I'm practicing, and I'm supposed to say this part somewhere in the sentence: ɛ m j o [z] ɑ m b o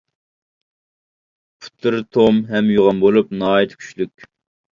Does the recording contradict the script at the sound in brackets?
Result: yes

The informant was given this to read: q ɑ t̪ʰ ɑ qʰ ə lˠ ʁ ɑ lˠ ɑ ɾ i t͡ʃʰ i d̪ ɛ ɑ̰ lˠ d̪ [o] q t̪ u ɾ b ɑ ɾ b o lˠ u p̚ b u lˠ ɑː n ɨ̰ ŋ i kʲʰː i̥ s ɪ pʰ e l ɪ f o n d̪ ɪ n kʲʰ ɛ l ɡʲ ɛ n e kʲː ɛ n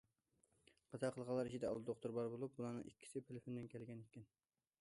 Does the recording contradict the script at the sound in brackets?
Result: no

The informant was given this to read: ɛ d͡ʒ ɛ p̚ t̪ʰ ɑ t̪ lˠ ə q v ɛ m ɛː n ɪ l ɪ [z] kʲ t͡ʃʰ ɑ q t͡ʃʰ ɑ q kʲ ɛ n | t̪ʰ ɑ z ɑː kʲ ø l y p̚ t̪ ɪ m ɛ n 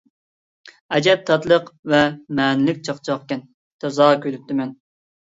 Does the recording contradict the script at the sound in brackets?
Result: yes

